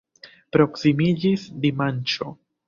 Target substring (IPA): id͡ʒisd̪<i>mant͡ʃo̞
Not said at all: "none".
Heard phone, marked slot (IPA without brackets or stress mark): i